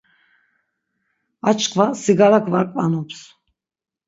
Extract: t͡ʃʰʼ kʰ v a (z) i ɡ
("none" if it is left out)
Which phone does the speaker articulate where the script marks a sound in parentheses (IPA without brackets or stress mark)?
s